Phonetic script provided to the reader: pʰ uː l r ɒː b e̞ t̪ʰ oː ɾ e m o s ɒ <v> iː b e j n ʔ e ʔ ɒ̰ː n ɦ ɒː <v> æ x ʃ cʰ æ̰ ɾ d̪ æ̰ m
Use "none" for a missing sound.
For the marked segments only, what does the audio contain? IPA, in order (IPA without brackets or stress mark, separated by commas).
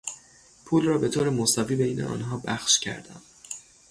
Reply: v, b